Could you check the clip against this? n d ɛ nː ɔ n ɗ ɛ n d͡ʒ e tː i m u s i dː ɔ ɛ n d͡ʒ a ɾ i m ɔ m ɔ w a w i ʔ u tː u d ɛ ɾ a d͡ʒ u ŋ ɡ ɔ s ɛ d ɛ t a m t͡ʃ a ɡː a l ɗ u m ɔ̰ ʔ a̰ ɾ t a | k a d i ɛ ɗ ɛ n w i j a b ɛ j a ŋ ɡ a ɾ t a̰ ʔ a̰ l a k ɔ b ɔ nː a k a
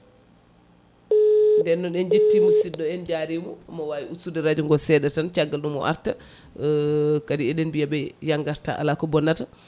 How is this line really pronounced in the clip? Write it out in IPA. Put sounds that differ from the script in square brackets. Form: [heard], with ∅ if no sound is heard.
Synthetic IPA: n d ɛ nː ɔ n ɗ ɛ n d͡ʒ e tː i m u s i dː ɔ ɛ n d͡ʒ a ɾ i m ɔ m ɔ w a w i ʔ u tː u d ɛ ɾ a d͡ʒ u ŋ ɡ ɔ s ɛ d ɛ t a [n] t͡ʃ a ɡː a l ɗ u m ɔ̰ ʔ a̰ ɾ t a | k a d i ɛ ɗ ɛ n [b] i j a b ɛ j a ŋ ɡ a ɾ t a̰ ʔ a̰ l a k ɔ b ɔ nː a [t] a